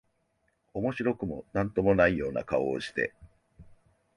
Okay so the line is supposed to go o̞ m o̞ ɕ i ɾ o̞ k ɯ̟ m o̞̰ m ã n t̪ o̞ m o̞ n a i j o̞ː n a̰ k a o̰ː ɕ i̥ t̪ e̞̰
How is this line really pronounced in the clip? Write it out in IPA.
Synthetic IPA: o̞ m o̞ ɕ i ɾ o̞ k ɯ̟ m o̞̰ n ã n t̪ o̞ m o̞ n a i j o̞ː n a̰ k a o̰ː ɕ i̥ t̪ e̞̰